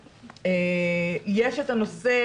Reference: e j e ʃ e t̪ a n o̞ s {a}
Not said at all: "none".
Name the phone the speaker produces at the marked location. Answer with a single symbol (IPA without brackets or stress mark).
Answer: e